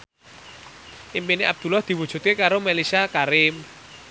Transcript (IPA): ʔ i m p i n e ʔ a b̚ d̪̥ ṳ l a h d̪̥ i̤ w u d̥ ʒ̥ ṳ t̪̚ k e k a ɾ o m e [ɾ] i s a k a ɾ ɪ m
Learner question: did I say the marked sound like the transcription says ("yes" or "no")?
no